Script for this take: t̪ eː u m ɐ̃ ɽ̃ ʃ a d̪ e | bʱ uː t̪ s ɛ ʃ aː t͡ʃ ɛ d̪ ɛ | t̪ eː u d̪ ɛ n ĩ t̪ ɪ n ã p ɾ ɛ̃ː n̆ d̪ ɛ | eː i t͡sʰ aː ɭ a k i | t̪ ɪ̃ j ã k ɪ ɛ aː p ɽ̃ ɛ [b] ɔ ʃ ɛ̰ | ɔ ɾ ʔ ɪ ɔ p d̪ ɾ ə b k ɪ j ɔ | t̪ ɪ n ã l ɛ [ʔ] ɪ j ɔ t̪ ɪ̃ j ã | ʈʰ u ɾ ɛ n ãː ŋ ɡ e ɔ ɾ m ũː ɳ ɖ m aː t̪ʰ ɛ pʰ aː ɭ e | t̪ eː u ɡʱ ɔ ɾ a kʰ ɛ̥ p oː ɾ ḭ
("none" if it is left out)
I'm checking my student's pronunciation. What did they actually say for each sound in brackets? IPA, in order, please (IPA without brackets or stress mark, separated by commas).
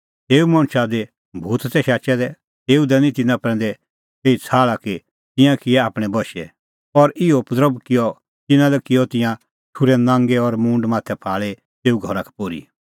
b, k